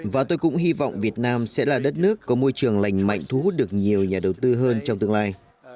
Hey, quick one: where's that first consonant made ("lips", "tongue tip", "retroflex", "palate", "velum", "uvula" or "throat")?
lips